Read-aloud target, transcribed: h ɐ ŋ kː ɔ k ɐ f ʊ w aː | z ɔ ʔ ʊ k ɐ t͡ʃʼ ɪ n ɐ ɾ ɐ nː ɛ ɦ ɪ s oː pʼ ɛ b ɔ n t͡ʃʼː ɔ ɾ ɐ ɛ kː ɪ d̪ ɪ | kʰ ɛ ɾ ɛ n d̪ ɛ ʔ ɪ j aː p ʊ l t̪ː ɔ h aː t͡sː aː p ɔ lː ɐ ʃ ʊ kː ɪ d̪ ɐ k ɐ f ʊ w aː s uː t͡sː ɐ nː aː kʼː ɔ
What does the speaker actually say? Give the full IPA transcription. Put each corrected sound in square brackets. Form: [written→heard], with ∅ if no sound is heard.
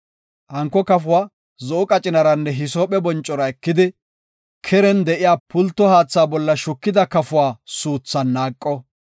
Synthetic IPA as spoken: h ɐ ŋ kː ɔ k ɐ f ʊ w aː | z ɔ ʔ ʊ [k→kʼ] ɐ t͡ʃʼ ɪ n ɐ ɾ ɐ nː ɛ ɦ ɪ s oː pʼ ɛ b ɔ n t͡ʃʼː ɔ ɾ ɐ ɛ kː ɪ d̪ ɪ | kʰ ɛ ɾ ɛ n d̪ ɛ ʔ ɪ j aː p ʊ l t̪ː ɔ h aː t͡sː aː [p→b] ɔ lː ɐ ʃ ʊ kː ɪ d̪ ɐ k ɐ f ʊ w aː s uː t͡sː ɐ nː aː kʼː ɔ

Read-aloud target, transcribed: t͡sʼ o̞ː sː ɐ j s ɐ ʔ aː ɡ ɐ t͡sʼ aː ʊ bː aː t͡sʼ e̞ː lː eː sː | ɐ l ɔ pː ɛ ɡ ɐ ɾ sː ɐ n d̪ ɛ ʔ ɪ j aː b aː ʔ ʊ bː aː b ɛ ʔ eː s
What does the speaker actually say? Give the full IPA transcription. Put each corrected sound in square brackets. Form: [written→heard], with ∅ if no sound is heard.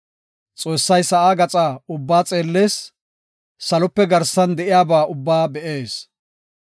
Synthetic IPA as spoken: t͡sʼ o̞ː sː ɐ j s ɐ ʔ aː ɡ ɐ t͡sʼ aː ʊ bː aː t͡sʼ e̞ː lː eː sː | ɐ l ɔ pː ɛ ɡ ɐ ɾ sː ɐ n d̪ ɛ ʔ ɪ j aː b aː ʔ ʊ bː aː b ɛ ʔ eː s

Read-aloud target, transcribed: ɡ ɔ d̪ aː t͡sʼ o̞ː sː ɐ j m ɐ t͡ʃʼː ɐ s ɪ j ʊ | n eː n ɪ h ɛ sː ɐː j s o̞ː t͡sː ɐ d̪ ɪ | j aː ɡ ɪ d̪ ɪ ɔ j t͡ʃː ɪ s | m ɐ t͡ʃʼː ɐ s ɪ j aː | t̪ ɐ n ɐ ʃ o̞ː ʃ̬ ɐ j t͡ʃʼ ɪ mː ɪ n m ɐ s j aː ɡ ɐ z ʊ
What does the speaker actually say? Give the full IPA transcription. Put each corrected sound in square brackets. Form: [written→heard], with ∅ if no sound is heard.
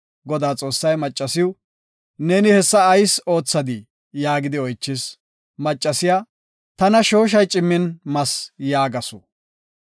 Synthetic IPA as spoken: ɡ ɔ d̪ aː t͡sʼ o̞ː sː ɐ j m ɐ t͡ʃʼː ɐ s ɪ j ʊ | n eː n ɪ h ɛ sː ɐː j s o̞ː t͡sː ɐ d̪ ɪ | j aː ɡ ɪ d̪ ɪ ɔ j t͡ʃː ɪ s | m ɐ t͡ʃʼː ɐ s ɪ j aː | t̪ ɐ n ɐ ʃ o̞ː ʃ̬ ɐ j t͡ʃʼ ɪ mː ɪ n m ɐ s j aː ɡ ɐ [z→s] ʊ

